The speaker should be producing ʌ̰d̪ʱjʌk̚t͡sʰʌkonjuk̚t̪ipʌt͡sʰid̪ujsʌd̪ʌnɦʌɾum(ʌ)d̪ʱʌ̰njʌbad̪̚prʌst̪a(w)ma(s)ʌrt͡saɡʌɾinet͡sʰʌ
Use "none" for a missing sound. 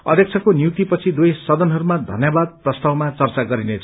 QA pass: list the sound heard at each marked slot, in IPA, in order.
a, w, t͡s

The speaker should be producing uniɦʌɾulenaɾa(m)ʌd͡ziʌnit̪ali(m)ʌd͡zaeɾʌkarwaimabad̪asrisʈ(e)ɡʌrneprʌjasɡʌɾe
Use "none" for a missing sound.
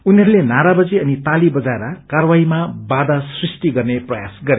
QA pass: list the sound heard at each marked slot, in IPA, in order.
b, b, i

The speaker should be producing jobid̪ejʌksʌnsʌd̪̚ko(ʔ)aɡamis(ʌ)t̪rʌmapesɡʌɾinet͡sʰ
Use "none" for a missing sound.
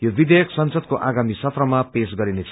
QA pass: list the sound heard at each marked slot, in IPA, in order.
ʔ, ʌ

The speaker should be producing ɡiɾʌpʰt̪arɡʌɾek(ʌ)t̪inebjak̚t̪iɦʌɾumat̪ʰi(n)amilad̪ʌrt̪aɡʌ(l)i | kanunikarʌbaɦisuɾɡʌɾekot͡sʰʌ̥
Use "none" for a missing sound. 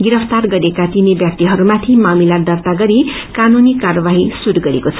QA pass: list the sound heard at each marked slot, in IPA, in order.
a, m, ɾ

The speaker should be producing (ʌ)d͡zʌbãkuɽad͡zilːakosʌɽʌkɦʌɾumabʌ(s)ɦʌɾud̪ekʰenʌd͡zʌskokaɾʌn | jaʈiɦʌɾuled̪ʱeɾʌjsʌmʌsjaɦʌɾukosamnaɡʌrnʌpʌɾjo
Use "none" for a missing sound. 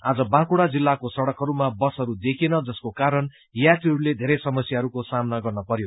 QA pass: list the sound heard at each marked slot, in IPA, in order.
a, s

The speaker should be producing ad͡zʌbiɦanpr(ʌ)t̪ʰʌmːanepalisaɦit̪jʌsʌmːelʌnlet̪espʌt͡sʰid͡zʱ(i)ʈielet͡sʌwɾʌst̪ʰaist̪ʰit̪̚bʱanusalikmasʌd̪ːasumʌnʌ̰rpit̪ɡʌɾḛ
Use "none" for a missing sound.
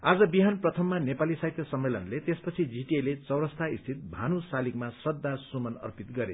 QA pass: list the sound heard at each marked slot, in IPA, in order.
ʌ, i

